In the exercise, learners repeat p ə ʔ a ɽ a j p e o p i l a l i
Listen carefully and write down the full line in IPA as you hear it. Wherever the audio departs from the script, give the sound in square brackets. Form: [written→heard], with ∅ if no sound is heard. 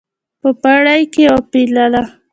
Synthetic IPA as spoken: p ə [ʔ→p] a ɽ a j [p→k] e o p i l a l [i→a]